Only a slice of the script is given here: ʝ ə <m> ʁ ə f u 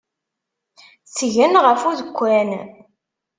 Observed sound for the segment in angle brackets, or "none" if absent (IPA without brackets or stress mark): n